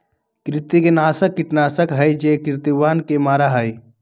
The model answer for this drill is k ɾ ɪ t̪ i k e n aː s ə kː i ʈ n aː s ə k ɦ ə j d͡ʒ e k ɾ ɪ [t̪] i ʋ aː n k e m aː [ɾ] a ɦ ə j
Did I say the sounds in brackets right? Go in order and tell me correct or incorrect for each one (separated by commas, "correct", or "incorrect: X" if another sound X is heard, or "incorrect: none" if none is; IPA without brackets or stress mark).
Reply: correct, correct